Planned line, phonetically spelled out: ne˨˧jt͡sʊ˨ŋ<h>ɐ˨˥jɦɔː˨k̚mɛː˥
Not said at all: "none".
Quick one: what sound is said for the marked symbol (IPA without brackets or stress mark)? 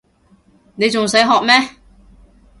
s